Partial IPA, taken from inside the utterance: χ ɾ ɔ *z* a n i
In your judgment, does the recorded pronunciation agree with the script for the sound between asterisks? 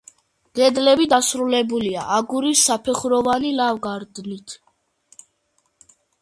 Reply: no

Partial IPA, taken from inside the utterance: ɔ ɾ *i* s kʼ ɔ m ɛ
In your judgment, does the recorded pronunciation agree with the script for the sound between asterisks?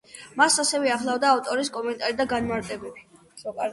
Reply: yes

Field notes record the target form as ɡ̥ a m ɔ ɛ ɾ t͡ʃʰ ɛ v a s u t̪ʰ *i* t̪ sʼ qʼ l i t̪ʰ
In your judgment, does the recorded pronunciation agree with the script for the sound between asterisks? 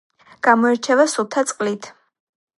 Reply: no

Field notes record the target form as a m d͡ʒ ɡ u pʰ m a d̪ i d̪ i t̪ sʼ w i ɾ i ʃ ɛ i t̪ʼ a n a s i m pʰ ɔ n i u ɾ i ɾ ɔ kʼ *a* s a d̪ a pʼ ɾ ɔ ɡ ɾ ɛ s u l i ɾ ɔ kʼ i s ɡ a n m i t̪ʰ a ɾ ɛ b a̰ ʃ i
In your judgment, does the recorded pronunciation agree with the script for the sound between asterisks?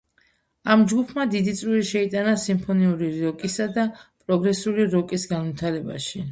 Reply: no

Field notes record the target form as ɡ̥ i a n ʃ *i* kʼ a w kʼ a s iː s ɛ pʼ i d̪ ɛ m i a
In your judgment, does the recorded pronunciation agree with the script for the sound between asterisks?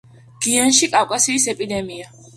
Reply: yes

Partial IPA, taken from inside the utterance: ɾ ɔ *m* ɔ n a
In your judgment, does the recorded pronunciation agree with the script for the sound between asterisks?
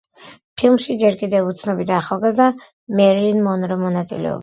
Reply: yes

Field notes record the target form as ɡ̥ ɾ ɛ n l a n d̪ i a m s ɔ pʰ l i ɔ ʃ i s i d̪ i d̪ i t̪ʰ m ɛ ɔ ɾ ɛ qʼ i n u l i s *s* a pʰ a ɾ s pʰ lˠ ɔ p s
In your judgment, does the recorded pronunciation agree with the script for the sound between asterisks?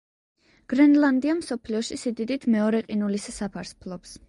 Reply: yes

